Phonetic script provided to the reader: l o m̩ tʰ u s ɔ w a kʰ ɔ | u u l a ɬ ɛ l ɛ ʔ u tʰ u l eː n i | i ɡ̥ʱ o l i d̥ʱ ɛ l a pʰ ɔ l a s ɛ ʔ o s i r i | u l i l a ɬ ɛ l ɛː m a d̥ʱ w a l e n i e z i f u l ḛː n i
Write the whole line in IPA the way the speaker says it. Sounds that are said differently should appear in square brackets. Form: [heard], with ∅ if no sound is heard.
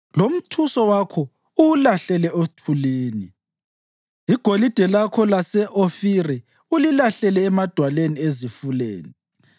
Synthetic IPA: l o m̩ tʰ u s ɔ w a kʰ ɔ | u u l a ɬ ɛ l ɛ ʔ [o] tʰ u l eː n i | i ɡ̥ʱ o l i d̥ʱ ɛ l a [kʰ] ɔ l a s ɛ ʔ o [f] i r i | u l i l a ɬ ɛ l ɛː m a d̥ʱ w a l e n i e z i f u l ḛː n i